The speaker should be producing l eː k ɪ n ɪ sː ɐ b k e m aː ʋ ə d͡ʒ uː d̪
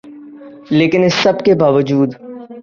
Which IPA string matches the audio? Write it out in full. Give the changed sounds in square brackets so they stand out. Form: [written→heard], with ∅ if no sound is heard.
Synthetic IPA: l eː k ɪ n ɪ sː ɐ b k e [m→b] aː ʋ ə d͡ʒ uː d̪